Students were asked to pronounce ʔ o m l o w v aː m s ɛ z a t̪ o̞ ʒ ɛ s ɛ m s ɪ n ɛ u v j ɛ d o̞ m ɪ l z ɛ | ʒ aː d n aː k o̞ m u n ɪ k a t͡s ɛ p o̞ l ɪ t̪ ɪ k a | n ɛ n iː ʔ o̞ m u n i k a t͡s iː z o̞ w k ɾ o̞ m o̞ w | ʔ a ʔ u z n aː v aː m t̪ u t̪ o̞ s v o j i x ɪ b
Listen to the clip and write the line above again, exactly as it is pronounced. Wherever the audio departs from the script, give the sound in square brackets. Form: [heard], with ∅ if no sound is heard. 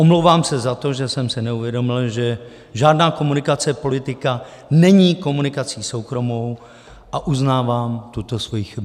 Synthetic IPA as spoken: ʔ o m l o w v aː m s ɛ z a t̪ o̞ ʒ ɛ s ɛ m s ɪ n ɛ u v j ɛ d o̞ m ɪ l [ʒ] ɛ | ʒ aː d n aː k o̞ m u n ɪ k a t͡s ɛ p o̞ l ɪ t̪ ɪ k a | n ɛ [ɲ] iː [k] o̞ m u n [ɪ] k a t͡s iː [s] o̞ w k ɾ o̞ m o̞ w | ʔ a ʔ u z n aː v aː m t̪ u t̪ o̞ s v o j i x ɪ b

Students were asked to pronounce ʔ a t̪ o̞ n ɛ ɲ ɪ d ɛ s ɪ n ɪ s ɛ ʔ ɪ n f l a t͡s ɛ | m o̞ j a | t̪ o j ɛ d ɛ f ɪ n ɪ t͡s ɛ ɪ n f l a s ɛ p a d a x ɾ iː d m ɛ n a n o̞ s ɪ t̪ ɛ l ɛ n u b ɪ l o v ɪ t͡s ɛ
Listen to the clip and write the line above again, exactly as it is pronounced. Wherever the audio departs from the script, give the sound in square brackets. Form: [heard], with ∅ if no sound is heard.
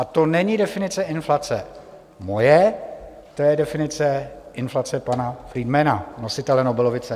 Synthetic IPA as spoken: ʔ a t̪ o̞ n ɛ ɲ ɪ d ɛ [f] ɪ n ɪ [t͡s] ɛ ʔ ɪ n f l a t͡s ɛ | m o̞ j [ɛ] | t̪ o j ɛ d ɛ f ɪ n ɪ t͡s ɛ ɪ n f l a [t͡s] ɛ p a [n] a [f] ɾ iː d m ɛ n a n o̞ s ɪ t̪ ɛ l ɛ n [o] b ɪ l o v ɪ t͡s ɛ

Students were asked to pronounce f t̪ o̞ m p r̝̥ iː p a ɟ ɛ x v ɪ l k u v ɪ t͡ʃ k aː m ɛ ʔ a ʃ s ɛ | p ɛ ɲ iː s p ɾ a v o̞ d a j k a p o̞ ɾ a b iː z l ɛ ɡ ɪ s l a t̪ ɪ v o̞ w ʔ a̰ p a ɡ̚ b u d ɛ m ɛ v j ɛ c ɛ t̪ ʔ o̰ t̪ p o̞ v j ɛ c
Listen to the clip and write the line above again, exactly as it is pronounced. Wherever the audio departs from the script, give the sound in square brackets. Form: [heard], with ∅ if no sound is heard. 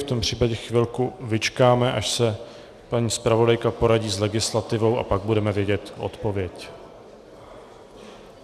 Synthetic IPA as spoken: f t̪ o̞ m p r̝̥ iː p a ɟ ɛ x v ɪ l k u v ɪ t͡ʃ k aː m ɛ ʔ a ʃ s ɛ | p [a] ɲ iː s p ɾ a v o̞ d a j k a p o̞ ɾ a [ɟ] iː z l ɛ ɡ ɪ s l a t̪ ɪ v o̞ w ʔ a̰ p a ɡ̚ b u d ɛ m ɛ v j ɛ [ɟ] ɛ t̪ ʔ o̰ t̪ p o̞ v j ɛ c

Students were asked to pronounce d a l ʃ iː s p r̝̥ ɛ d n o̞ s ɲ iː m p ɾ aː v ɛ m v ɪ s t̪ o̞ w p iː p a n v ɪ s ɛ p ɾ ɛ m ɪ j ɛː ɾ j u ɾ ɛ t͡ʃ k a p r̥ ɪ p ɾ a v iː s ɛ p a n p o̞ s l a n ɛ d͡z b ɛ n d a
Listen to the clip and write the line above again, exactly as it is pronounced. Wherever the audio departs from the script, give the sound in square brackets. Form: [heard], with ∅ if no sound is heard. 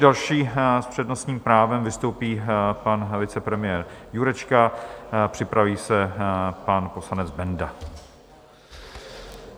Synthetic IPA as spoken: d a l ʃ iː s p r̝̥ ɛ d n o̞ s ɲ iː m p ɾ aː v ɛ m v ɪ s t̪ o̞ w p iː p a n v ɪ [t͡s] ɛ p ɾ ɛ m ɪ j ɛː ɾ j u ɾ ɛ t͡ʃ k a p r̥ ɪ p ɾ a v iː s ɛ p a n p o̞ s l a n ɛ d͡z b ɛ n d a

